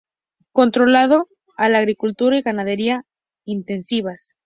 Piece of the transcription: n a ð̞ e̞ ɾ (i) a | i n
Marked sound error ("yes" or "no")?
no